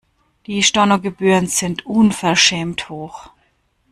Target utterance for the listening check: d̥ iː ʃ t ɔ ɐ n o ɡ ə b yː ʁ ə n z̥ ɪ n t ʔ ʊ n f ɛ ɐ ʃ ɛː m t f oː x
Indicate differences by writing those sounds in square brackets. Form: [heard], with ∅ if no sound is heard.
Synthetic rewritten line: d̥ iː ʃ t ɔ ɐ n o ɡ ə b yː ʁ ə n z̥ ɪ n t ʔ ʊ n f ɛ ɐ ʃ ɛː m t [h] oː x

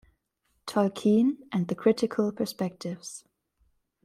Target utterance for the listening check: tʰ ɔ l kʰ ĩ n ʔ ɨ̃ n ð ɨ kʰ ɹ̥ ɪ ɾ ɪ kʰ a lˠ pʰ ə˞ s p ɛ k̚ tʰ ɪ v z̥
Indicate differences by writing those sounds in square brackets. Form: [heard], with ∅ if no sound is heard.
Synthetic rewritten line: tʰ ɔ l kʰ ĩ n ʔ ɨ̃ n ð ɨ kʰ ɹ̥ ɪ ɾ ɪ kʰ [ə] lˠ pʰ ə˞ s p ɛ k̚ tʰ ɪ v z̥

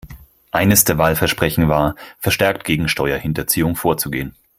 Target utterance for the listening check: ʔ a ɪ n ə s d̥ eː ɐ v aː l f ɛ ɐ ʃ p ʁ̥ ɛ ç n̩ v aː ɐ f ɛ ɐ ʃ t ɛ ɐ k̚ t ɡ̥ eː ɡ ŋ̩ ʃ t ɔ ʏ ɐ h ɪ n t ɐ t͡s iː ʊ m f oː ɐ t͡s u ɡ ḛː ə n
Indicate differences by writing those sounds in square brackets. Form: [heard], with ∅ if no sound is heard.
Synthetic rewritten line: ʔ a ɪ n ə s d̥ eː ɐ v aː l f ɛ ɐ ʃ p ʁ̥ ɛ ç n̩ v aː ɐ f ɛ ɐ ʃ t ɛ ɐ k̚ t ɡ̥ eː ɡ ŋ̩ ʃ t ɔ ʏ ɐ h ɪ n t ɐ t͡s iː ʊ [ŋ] f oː ɐ t͡s u ɡ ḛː ə n

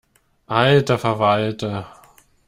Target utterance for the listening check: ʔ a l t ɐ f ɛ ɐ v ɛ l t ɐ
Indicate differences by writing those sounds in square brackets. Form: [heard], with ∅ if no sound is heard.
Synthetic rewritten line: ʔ a l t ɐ f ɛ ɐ v [a] l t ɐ

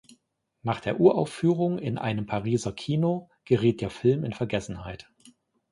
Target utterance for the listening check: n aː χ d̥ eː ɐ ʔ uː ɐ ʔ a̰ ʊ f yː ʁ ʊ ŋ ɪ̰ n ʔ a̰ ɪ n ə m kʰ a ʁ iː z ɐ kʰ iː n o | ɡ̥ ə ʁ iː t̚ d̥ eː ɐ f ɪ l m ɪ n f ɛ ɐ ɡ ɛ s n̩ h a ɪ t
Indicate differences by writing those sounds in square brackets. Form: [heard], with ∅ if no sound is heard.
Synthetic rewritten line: n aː χ d̥ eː ɐ ʔ uː ɐ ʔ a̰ ʊ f yː ʁ ʊ ŋ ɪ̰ n ʔ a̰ ɪ n ə m [pʰ] a ʁ iː z ɐ kʰ iː n o | ɡ̥ ə ʁ iː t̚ d̥ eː ɐ f ɪ l m ɪ n f ɛ ɐ ɡ ɛ s n̩ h a ɪ t

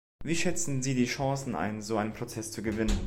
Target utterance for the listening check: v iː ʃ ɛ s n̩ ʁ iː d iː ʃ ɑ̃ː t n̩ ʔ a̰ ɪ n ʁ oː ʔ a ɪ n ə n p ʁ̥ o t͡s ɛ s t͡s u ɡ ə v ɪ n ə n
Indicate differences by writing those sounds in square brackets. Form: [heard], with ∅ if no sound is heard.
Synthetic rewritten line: v iː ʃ ɛ [t͡s] n̩ [z] iː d iː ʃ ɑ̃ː [s] n̩ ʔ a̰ ɪ n [z] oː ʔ a ɪ n ə n p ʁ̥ o t͡s ɛ s t͡s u ɡ ə v ɪ n ə n

